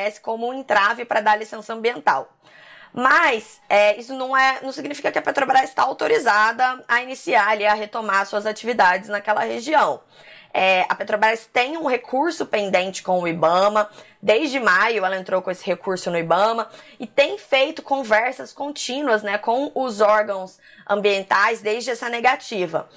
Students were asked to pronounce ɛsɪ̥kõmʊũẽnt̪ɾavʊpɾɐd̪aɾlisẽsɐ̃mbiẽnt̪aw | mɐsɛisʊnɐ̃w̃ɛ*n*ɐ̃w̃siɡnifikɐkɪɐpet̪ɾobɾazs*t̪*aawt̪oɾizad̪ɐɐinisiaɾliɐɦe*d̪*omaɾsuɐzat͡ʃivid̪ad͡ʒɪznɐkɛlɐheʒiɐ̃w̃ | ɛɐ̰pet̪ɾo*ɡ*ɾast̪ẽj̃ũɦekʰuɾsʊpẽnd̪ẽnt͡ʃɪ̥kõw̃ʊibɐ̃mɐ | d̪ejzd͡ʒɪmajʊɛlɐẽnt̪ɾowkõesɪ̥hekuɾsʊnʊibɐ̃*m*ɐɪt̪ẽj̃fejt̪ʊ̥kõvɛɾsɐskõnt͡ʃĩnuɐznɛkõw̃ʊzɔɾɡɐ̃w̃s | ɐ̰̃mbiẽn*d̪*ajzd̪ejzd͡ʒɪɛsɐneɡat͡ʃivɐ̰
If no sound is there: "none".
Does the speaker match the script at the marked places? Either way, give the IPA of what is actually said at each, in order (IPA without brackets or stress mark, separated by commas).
n, t̪, t̪, b, m, t̪